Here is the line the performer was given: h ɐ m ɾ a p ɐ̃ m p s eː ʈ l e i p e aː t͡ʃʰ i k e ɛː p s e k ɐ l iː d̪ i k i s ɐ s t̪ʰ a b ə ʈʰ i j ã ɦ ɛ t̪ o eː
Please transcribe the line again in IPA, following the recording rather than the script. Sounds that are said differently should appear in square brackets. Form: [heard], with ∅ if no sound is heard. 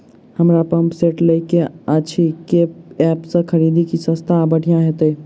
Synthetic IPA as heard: h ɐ m ɾ a p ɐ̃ m p s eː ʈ l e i [k] e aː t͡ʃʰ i k e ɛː p s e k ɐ [ɾ] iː d̪ i k i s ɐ s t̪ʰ a b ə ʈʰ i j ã ɦ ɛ t̪ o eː